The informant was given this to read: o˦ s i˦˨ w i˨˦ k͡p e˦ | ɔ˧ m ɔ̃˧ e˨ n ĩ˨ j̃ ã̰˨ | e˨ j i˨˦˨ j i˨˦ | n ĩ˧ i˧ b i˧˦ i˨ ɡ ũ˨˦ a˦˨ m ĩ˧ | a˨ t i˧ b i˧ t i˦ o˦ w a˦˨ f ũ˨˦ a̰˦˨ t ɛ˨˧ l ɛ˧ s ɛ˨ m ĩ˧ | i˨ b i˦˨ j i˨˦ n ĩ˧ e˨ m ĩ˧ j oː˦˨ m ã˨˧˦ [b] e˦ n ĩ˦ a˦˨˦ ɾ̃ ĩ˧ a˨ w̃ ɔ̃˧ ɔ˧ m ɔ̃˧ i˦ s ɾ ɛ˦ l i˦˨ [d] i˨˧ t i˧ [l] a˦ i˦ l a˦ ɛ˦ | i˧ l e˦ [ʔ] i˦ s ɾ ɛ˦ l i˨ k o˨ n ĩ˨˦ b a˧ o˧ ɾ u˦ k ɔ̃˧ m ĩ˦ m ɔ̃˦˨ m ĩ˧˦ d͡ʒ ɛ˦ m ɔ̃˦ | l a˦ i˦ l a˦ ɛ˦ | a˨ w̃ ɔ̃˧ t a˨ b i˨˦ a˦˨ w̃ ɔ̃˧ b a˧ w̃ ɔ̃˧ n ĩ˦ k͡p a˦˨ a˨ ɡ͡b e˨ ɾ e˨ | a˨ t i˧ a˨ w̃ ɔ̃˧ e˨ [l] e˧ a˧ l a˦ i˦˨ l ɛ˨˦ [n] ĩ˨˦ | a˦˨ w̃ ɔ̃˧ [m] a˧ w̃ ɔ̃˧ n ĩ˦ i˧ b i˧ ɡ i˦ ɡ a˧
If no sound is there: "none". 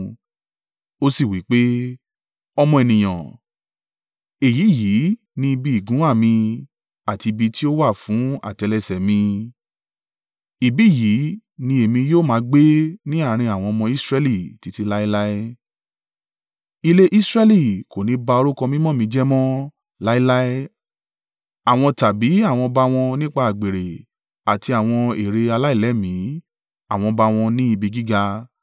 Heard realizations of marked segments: ɡ͡b, t, l, ʔ, ɾ, m, b

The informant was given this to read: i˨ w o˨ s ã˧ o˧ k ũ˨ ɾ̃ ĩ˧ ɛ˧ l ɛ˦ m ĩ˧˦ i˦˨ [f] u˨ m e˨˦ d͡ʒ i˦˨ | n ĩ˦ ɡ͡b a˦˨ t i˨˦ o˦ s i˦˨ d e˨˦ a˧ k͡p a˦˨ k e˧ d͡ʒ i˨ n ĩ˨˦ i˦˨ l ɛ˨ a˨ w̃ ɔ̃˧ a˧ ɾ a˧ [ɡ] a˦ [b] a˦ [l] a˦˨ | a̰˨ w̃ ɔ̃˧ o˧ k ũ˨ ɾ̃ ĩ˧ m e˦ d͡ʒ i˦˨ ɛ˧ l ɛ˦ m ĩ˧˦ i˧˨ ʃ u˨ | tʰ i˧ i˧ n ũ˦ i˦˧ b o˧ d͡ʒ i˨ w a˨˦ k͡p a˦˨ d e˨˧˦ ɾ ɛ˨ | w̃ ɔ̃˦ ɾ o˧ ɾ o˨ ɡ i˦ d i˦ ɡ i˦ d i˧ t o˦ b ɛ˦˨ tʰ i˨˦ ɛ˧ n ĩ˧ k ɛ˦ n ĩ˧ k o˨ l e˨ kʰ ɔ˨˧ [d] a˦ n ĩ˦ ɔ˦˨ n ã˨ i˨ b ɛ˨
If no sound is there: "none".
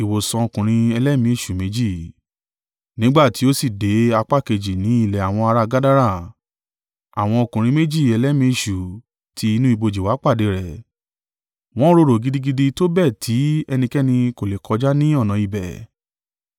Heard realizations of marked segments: ʃ, ɡ, d, ɾ, d͡ʒ

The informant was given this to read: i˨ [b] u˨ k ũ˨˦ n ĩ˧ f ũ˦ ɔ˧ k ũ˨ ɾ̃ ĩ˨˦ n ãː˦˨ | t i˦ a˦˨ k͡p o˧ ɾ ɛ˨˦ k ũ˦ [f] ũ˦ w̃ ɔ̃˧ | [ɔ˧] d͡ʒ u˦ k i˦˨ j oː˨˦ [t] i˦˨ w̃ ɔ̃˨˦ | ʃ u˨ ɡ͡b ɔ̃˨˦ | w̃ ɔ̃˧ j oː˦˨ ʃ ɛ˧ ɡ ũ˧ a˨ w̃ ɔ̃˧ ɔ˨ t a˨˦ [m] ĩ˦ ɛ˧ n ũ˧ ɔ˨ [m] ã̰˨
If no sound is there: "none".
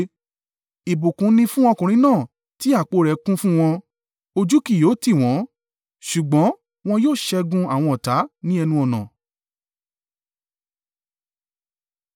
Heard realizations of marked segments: b, f, o˧, t, n, n

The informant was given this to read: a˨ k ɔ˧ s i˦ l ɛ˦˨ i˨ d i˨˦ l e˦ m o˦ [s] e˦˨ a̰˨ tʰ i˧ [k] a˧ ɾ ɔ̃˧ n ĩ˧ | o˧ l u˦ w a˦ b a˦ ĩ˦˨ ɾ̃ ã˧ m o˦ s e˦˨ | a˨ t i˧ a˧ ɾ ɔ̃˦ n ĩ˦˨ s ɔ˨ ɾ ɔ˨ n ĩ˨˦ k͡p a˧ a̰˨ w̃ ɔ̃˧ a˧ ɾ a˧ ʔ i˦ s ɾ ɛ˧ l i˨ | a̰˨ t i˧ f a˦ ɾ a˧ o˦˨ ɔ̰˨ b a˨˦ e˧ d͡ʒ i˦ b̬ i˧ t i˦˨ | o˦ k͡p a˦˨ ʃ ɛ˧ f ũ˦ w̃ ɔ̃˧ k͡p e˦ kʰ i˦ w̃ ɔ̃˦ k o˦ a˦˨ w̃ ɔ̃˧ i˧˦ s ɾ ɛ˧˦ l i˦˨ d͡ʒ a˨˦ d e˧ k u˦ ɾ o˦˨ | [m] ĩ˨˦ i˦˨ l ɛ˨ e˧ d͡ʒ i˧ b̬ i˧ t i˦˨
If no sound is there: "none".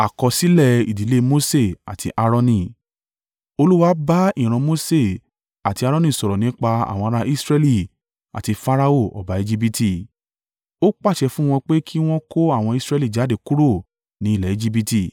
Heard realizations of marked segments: s, ʔ, n

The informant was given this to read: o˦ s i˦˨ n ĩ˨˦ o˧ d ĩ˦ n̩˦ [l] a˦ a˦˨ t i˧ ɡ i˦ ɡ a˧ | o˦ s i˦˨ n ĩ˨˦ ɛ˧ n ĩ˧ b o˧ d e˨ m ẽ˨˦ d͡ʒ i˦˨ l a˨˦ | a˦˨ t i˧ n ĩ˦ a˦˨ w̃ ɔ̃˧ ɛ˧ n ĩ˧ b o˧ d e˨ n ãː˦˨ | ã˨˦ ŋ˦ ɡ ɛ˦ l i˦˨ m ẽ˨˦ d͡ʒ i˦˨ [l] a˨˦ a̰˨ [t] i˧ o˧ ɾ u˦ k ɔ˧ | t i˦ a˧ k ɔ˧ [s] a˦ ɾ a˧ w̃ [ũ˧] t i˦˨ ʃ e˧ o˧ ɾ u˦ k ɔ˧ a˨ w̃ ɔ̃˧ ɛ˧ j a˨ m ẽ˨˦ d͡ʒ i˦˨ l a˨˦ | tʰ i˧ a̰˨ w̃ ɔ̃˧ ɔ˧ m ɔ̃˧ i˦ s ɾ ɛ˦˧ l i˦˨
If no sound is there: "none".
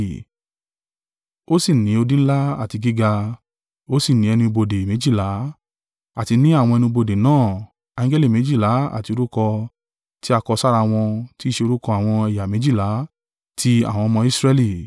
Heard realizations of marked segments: l, l, t, s, ɔ̃˧

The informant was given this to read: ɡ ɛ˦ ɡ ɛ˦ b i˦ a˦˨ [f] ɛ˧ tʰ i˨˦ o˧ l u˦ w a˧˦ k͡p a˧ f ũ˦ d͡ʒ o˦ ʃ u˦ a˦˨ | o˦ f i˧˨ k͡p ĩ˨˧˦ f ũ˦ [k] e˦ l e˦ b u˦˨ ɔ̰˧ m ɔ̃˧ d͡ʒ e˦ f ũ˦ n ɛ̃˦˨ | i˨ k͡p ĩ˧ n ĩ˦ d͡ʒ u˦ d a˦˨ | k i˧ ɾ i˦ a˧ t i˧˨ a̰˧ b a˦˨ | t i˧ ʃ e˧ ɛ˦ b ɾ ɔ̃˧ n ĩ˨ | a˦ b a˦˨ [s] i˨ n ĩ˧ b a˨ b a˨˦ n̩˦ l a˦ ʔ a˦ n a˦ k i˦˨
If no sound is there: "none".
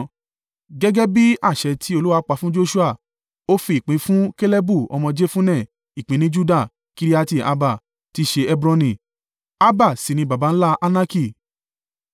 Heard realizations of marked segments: ʃ, k, s

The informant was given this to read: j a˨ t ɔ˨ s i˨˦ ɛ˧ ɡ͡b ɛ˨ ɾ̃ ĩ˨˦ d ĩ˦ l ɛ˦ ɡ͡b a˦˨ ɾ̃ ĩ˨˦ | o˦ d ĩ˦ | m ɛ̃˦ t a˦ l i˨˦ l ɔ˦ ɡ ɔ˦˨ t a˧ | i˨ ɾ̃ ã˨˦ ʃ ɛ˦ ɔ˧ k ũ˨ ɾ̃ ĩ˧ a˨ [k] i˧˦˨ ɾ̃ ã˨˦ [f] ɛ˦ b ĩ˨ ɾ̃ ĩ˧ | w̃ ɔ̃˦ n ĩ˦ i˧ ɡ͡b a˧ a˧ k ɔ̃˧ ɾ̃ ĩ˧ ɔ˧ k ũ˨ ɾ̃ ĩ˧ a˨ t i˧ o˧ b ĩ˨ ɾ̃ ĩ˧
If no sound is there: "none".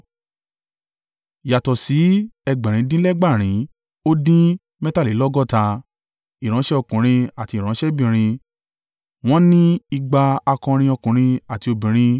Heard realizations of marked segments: t, ʃ

